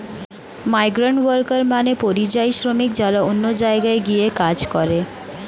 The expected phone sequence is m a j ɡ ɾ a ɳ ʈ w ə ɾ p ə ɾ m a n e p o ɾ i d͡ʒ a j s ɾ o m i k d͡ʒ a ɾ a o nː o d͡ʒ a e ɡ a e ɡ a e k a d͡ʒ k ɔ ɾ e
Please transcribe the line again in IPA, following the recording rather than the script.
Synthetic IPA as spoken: m a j ɡ ɾ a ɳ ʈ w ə ɾ k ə ɾ m a n e p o ɾ i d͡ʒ a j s ɾ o m i k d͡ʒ a ɾ a o nː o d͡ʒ a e ɡ a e ɡ i e k a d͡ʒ k ɔ ɾ e